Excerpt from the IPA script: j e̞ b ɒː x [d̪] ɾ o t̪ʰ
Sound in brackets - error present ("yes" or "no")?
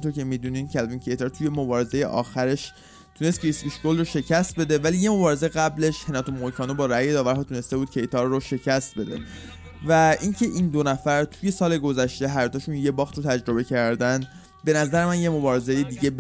yes